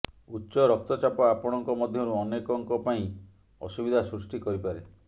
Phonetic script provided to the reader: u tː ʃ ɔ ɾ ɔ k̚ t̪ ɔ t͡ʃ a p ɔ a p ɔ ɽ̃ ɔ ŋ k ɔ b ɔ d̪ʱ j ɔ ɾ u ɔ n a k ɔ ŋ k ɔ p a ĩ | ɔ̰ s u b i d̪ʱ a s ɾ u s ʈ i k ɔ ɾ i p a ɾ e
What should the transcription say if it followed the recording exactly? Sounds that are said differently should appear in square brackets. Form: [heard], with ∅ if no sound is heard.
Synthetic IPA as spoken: u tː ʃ ɔ ɾ ɔ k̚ t̪ ɔ t͡ʃ a p ɔ a p ɔ ɽ̃ ɔ ŋ k ɔ [m] ɔ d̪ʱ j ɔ ɾ u ɔ n [e] k ɔ ŋ k ɔ p a ĩ | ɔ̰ s u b i d̪ʱ a s ɾ u s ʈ i k ɔ ɾ i p a ɾ e

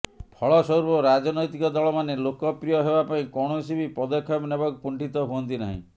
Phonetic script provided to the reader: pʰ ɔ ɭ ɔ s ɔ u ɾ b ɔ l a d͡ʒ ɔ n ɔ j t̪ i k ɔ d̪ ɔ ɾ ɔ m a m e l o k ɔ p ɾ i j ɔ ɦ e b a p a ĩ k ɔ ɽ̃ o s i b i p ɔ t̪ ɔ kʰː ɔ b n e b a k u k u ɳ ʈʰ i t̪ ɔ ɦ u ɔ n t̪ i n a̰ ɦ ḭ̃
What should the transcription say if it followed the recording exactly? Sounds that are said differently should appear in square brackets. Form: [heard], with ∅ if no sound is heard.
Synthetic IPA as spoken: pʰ ɔ ɭ ɔ s ɔ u ɾ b ɔ [ɾ] a d͡ʒ ɔ n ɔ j t̪ i k ɔ d̪ ɔ [ɭ] ɔ m a [n] e l o k ɔ p ɾ i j ɔ ɦ e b a p a ĩ k ɔ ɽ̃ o s i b i p ɔ [d̪] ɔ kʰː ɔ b n e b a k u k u ɳ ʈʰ i t̪ ɔ ɦ u ɔ n t̪ i n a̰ ɦ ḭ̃

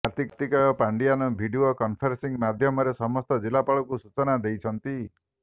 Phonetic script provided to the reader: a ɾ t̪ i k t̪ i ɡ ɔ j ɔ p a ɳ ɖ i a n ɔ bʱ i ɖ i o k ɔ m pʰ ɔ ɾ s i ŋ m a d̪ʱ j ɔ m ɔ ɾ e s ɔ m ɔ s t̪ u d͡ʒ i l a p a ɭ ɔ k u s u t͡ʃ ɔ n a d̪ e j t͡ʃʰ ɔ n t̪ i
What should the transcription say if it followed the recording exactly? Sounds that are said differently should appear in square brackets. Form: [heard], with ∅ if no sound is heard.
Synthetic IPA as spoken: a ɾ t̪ i k t̪ i [k] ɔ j ɔ p a ɳ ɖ i a n ɔ bʱ i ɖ i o k ɔ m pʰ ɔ ɾ s i ŋ m a d̪ʱ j ɔ m ɔ ɾ e s ɔ m ɔ s t̪ [ɔ] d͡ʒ i l a p a ɭ ɔ k u s u t͡ʃ ɔ n a d̪ e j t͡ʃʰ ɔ n t̪ i

